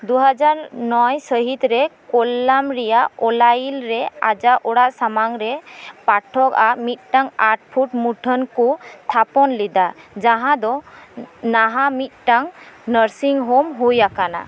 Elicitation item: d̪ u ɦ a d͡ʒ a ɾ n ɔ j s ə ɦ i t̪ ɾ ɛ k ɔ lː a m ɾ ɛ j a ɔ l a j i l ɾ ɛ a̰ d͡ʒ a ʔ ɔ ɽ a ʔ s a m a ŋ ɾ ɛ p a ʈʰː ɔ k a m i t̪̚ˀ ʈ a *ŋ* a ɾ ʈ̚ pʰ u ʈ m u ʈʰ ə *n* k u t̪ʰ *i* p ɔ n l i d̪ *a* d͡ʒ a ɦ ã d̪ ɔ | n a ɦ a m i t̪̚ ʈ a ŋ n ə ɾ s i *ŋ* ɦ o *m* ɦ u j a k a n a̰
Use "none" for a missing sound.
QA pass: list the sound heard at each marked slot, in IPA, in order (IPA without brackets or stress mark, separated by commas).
ŋ, n, a, a, ŋ, m